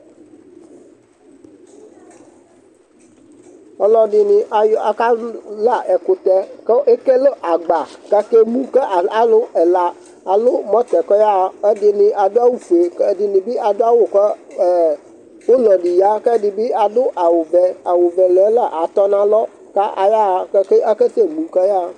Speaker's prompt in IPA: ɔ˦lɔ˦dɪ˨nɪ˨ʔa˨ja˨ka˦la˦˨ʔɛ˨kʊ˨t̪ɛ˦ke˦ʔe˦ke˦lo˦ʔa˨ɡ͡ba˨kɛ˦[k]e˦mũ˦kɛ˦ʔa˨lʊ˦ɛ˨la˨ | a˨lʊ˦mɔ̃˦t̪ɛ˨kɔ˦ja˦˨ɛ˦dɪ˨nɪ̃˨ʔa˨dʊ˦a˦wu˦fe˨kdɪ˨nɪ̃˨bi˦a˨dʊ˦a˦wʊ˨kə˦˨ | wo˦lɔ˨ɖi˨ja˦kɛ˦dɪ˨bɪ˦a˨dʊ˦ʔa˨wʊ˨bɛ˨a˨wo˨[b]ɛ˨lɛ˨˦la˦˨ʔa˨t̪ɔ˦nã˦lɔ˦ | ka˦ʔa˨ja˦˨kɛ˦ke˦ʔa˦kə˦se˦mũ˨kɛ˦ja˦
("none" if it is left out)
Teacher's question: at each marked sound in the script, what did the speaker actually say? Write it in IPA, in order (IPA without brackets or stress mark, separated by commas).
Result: k, b